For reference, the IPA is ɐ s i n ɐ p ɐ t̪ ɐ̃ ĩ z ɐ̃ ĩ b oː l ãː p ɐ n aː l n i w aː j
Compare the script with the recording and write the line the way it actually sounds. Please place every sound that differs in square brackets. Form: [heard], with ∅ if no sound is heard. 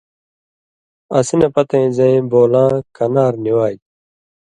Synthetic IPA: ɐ s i n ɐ p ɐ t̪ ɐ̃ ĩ z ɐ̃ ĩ b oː l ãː [k] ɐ n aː [ɾ] n i w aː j